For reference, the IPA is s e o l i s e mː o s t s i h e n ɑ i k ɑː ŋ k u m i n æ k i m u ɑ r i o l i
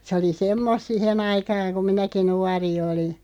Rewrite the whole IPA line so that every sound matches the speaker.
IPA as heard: s e o l i s e mː o s t s i h e n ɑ i k ɑː ŋ k u m i n æ k i n u ɑ r i o l i